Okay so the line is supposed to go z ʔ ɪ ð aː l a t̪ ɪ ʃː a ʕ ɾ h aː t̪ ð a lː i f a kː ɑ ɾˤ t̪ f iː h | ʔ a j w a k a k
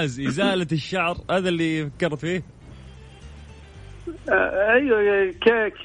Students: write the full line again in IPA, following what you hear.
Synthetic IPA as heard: z ʔ ɪ z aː l a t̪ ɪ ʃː a ʕ ɾ h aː ð a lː i f a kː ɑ ɾˤ t̪ f iː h | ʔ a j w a k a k